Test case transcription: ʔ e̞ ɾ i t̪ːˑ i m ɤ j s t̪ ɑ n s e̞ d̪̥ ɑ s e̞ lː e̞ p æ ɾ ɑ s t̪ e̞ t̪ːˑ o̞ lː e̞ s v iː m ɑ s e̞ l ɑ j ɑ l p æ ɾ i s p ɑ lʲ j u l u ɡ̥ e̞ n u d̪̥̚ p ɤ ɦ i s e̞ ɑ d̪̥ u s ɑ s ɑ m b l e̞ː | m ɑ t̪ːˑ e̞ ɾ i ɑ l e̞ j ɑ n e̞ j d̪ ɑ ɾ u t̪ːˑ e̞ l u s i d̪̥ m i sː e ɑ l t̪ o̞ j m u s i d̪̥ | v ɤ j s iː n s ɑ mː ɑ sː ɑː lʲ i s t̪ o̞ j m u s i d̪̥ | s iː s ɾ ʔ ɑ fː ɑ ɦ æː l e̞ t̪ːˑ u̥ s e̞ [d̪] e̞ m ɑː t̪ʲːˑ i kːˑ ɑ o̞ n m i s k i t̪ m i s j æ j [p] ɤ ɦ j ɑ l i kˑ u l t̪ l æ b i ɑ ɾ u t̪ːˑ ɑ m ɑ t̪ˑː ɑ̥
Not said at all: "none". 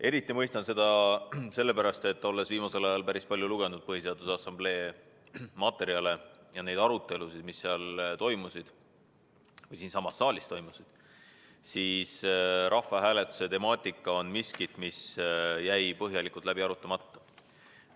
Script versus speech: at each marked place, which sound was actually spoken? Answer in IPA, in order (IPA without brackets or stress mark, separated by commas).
t̪, p